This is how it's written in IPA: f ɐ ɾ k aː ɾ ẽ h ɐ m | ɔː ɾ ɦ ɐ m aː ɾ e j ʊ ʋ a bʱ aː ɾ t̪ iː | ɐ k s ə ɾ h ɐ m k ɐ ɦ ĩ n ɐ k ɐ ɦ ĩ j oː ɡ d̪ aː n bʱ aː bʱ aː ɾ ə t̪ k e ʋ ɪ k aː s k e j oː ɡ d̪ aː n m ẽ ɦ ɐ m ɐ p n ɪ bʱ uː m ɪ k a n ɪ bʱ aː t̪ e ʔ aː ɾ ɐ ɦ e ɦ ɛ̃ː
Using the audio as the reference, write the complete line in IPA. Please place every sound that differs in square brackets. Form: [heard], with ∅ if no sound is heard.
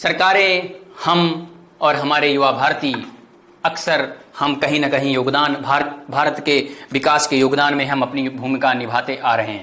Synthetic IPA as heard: [s] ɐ ɾ k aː ɾ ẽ h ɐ m | ɔː ɾ ɦ ɐ m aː ɾ e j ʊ ʋ a bʱ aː ɾ t̪ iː | ɐ k s ə ɾ h ɐ m k ɐ ɦ ĩ n ɐ k ɐ ɦ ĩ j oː ɡ d̪ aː n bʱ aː bʱ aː ɾ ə t̪ k e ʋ ɪ k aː s k e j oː ɡ d̪ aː n m ẽ ɦ ɐ m ɐ p n [i] bʱ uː m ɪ k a n ɪ bʱ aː t̪ e ʔ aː ɾ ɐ ɦ e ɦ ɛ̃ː